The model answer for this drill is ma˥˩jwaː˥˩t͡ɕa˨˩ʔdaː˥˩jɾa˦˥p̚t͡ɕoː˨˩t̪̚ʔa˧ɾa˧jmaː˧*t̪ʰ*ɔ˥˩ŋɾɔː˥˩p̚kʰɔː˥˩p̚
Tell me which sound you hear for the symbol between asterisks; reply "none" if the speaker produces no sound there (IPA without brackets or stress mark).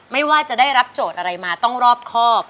t̪